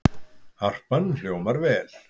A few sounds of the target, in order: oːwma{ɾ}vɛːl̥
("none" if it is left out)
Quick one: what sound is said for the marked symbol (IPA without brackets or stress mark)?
ɾ